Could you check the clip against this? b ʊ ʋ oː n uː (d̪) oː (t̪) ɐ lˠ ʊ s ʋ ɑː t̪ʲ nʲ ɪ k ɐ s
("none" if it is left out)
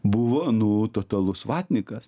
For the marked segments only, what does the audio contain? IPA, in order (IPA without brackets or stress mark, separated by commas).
t̪, t̪